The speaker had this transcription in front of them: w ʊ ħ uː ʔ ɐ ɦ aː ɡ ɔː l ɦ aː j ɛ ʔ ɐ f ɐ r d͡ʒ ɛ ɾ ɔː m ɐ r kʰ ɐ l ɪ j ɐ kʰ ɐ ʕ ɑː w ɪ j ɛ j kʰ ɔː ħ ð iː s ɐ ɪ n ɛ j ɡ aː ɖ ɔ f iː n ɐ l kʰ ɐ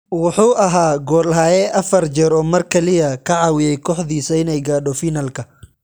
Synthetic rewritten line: w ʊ ħ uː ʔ ɐ ɦ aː ɡ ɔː l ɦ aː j ɛ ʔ ɐ f ɐ r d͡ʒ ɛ ɾ ɔː m ɐ r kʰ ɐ l ɪ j ɐ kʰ ɐ ʕ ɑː w ɪ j ɛ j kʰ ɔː ħ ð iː s ɐ ɪ n ɛ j ɡ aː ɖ ɔ f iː n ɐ l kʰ ɐ